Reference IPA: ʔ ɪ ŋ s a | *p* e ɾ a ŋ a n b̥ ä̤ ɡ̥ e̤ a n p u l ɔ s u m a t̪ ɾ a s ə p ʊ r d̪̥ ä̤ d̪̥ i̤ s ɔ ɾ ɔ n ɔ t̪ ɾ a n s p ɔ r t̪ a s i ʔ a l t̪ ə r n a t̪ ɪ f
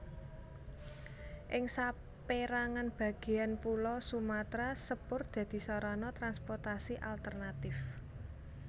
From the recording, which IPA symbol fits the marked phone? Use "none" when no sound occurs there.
p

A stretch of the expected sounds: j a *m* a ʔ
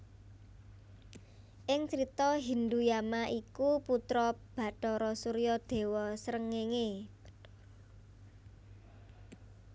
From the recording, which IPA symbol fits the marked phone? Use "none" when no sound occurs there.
m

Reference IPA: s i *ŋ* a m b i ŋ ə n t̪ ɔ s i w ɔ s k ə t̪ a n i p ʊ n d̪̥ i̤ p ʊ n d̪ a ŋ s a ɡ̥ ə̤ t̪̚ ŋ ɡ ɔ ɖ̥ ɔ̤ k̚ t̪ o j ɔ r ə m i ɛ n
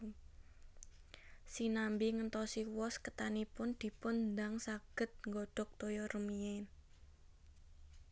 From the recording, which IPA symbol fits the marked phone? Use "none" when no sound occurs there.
n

